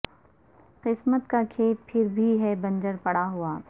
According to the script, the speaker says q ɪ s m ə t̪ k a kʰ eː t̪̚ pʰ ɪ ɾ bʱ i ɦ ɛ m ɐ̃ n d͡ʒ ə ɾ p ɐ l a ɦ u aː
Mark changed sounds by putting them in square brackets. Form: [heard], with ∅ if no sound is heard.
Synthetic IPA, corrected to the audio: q ɪ s m ə t̪ k a kʰ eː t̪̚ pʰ ɪ ɾ bʱ i ɦ ɛ [b] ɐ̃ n d͡ʒ ə ɾ p ɐ [ɽ] a ɦ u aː